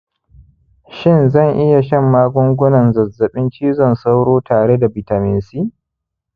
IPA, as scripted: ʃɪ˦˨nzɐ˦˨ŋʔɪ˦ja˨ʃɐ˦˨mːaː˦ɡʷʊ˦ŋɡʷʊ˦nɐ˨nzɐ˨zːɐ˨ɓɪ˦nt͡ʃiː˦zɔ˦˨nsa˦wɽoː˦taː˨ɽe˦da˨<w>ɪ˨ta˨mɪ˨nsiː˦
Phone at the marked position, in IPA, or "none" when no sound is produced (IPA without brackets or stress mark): b